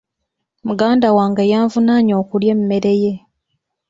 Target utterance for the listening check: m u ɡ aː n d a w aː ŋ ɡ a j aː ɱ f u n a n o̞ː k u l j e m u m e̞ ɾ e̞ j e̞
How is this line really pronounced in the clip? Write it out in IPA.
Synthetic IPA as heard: m u ɡ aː n d a w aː ŋ ɡ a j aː ɱ v u n a ɲ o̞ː k u l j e m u m e̞ ɾ e̞ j e̞